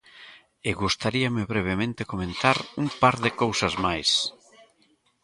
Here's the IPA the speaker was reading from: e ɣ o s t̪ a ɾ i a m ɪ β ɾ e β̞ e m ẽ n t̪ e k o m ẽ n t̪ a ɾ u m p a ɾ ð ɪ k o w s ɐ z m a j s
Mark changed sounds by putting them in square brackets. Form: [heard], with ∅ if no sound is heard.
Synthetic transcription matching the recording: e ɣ [u] s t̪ a ɾ i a m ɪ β ɾ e β̞ e m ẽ n t̪ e k o m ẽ n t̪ a ɾ u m p a ɾ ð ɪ k o w s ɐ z m a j s